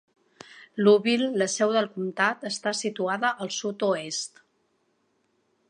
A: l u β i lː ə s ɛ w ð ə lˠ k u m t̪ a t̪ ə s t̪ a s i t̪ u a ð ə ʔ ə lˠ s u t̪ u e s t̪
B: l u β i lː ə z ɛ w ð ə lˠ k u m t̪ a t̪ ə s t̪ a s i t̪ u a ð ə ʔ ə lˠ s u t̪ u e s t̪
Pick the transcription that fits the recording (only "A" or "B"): A